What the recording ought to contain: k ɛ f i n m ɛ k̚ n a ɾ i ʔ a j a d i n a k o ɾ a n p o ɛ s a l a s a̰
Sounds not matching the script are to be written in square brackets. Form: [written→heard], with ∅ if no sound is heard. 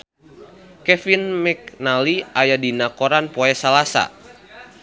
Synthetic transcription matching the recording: k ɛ f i n m ɛ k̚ n a [ɾ→l] i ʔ a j a d i n a k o ɾ a n p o ɛ s a l a s a̰

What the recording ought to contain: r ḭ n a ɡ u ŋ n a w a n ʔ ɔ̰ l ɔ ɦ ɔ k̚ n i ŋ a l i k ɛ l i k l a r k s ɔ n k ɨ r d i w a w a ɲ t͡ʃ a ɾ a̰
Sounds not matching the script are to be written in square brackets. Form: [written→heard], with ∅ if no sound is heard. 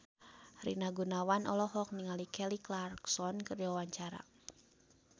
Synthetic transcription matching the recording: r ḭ n a ɡ u [ŋ→∅] n a w a n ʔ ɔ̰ l ɔ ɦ ɔ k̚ n i ŋ a l i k ɛ l i k l a r k s ɔ n k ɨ r d i w a w a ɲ t͡ʃ a ɾ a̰

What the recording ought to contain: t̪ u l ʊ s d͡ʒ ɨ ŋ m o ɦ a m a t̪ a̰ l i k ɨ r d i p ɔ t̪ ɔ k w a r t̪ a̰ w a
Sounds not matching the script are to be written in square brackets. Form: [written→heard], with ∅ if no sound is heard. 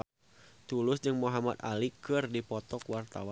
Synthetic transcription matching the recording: t̪ u l ʊ s d͡ʒ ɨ ŋ m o ɦ a m a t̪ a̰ l i k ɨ r d i p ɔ t̪ ɔ k w a r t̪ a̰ w a

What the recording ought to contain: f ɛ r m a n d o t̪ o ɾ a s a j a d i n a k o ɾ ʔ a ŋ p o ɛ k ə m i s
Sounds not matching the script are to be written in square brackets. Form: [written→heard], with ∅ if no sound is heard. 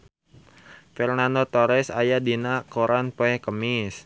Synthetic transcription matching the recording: f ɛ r [m→n] a n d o t̪ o ɾ [a→ɛ] s a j a d i n a k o ɾ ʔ a [ŋ→n] p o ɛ k ə m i s

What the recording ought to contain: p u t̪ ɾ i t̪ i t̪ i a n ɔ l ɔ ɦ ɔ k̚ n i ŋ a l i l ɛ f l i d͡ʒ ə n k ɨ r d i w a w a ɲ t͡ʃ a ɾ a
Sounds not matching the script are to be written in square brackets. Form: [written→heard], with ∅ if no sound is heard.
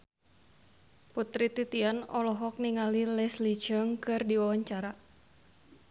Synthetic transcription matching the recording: p u t̪ ɾ i t̪ i t̪ i a n ɔ l ɔ ɦ ɔ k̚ n i ŋ a l i l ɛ [f→s] l i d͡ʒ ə [n→ŋ] k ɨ r d i w a w a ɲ t͡ʃ a ɾ a

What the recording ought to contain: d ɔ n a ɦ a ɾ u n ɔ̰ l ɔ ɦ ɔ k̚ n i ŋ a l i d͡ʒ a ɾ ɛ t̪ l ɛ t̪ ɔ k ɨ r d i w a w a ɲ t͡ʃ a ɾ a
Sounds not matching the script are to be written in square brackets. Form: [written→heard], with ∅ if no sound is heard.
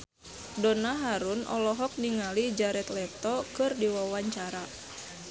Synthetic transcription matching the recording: d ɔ n a ɦ a ɾ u n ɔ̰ l ɔ ɦ ɔ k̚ n i ŋ a l i d͡ʒ a ɾ ɛ t̪ l ɛ t̪ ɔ k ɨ r d i w a w a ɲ t͡ʃ a ɾ a

